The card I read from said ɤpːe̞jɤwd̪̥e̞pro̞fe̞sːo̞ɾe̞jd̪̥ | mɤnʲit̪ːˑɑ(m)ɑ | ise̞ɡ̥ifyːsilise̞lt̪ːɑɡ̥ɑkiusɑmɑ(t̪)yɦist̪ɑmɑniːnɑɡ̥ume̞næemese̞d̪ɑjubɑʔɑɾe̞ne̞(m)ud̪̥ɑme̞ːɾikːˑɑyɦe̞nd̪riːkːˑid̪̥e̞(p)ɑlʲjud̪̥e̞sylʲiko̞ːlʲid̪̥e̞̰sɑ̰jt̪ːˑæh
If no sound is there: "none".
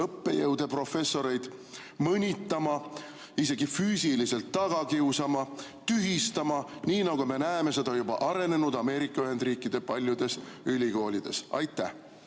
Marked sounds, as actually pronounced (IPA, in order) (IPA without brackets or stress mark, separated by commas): m, t̪, n, p